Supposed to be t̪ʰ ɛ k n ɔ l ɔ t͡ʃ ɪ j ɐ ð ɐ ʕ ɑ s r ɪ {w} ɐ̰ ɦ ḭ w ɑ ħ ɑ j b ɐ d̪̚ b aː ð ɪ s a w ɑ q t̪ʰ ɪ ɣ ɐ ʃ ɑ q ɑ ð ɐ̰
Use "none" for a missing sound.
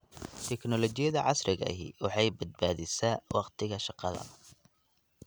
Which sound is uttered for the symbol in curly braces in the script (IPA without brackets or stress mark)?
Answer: ɣ